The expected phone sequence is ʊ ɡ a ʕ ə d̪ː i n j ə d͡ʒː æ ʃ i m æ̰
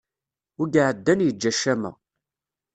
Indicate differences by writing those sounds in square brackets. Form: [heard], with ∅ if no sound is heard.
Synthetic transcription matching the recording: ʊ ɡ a ʕ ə d̪ː [æ] n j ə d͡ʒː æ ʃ [æ] m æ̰